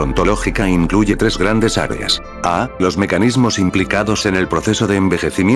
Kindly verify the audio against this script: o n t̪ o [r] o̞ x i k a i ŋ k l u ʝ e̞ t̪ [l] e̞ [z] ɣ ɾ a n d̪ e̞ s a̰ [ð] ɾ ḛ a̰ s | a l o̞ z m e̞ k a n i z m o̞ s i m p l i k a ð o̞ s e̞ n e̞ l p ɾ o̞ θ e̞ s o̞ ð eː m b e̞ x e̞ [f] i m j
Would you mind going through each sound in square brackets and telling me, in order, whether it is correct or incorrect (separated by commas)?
incorrect, incorrect, correct, incorrect, incorrect